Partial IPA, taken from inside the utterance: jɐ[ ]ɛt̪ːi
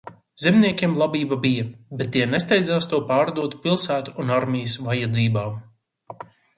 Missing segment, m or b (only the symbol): b